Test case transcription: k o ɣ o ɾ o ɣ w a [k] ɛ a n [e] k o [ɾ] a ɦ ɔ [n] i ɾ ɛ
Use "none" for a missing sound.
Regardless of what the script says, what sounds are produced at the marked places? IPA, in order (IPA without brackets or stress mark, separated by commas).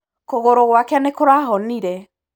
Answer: k, e, ɾ, n